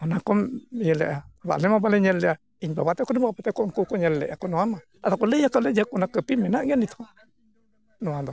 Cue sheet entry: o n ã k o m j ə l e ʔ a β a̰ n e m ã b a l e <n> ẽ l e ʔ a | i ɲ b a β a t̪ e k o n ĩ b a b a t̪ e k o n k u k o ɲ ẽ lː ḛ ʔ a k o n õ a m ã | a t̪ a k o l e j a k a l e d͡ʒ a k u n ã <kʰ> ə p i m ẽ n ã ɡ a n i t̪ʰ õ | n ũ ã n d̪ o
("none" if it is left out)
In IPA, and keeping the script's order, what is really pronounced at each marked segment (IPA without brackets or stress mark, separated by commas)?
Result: ɲ, k